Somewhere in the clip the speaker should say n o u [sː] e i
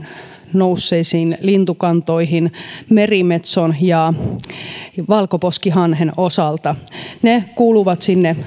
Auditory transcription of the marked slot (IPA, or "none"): sː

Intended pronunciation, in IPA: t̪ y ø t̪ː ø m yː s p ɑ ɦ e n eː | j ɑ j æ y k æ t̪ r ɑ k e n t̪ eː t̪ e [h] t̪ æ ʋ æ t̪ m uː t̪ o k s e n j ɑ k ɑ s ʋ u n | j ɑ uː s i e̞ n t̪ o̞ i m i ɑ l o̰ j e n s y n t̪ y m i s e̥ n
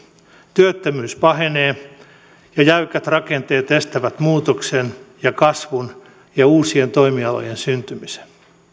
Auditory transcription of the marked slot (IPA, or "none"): s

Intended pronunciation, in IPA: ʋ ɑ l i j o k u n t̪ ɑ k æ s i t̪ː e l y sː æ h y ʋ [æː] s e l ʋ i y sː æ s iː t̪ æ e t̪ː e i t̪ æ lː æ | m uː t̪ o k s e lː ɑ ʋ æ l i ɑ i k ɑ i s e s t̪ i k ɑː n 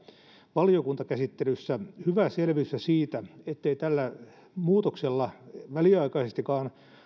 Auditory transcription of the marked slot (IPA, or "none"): æ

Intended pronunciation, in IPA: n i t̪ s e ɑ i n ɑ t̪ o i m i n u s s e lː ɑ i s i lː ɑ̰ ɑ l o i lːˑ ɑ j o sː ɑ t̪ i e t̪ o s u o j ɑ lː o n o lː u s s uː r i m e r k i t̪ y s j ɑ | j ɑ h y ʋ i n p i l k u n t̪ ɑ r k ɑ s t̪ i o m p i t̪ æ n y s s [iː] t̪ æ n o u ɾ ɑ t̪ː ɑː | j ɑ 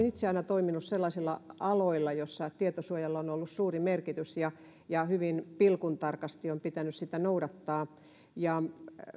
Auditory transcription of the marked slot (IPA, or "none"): i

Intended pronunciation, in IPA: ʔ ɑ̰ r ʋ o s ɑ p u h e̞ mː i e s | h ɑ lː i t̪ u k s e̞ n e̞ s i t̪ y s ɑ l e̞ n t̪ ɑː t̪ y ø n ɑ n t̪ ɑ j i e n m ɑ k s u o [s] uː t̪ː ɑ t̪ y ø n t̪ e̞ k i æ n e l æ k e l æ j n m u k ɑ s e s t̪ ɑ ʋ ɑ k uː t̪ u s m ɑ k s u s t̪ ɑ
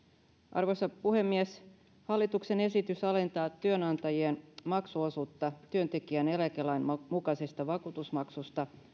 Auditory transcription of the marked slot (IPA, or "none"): s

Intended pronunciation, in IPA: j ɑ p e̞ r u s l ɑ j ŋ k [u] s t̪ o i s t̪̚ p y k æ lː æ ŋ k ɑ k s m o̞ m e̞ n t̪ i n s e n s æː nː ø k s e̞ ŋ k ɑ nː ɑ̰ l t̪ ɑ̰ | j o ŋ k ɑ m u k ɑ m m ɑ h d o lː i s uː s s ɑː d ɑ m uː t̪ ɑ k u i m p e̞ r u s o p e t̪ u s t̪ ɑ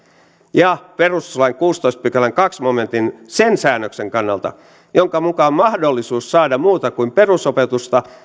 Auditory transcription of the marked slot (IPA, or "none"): uː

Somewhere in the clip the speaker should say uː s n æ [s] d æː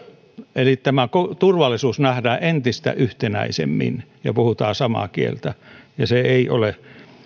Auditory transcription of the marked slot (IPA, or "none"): h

